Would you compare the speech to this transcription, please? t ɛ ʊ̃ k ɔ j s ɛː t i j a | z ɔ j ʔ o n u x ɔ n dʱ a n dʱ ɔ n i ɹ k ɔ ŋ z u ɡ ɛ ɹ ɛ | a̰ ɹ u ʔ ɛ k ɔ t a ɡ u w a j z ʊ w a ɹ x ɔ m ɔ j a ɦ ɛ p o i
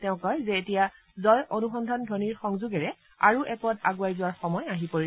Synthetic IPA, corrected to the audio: t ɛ ʊ̃ k ɔ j z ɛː t i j a | z ɔ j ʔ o n u x ɔ n dʱ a n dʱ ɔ n i ɹ x ɔ ŋ z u ɡ ɛ ɹ ɛ | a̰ ɹ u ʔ ɛ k ɔ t a ɡ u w a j z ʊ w a ɹ x ɔ m ɔ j a ɦ i p o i

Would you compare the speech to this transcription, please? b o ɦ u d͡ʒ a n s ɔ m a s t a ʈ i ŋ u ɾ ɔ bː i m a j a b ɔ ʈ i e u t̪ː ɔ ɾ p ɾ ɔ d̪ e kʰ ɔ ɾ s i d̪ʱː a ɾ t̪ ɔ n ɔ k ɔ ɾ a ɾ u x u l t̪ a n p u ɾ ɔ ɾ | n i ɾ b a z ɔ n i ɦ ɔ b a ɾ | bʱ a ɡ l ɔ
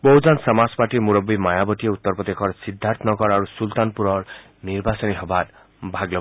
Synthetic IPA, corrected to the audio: b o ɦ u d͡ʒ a n s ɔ m a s p a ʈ i m u ɾ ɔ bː i m a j a b ɔ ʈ i e u t̪ː ɔ ɾ p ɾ ɔ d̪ e kʰ ɔ ɾ s i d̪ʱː a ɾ t̪ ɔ n ɔ k ɔ ɾ a ɾ u s u l t̪ a n p u ɾ ɔ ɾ | n i ɾ b a s ɔ n i ɦ ɔ b a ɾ | bʱ a ɡ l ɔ

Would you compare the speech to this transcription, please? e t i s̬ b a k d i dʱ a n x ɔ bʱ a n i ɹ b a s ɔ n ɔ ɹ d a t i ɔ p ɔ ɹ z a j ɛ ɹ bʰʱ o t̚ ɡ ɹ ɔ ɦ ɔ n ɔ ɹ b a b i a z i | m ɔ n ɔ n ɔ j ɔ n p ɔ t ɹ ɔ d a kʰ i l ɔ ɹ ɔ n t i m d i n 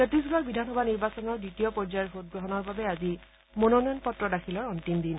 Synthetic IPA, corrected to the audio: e t i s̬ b a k b i dʱ a n x ɔ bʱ a n i ɹ b a s ɔ n ɔ ɹ d i t i ɔ p ɔ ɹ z a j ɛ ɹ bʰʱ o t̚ ɡ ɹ ɔ ɦ ɔ n ɔ ɹ b a b ɛ a z i | m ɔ n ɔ n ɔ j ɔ n p ɔ t ɹ ɔ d a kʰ i l ɔ ɹ ɔ n t i m d i n

